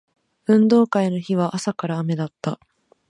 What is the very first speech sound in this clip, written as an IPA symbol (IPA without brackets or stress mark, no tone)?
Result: ɯ̟̃